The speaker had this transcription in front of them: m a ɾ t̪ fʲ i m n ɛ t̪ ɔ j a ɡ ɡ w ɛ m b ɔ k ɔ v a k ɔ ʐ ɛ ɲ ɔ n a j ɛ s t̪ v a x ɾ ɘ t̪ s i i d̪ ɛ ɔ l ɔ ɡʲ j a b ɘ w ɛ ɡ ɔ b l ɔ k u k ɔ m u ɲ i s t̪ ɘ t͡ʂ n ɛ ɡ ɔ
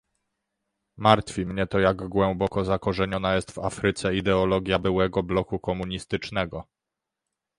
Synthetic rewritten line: m a ɾ t̪ fʲ i m ɲ ɛ t̪ ɔ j a ɡ ɡ w ɛ m b ɔ k ɔ z a k ɔ ʐ ɛ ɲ ɔ n a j ɛ s t̪ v a f ɾ ɘ t̪ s ɛ i d̪ ɛ ɔ l ɔ ɡʲ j a b ɘ w ɛ ɡ ɔ b l ɔ k u k ɔ m u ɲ i s t̪ ɘ t͡ʂ n ɛ ɡ ɔ